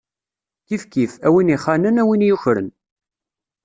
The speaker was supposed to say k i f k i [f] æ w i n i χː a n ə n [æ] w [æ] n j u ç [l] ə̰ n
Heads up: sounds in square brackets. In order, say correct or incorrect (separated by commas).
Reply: correct, correct, incorrect, incorrect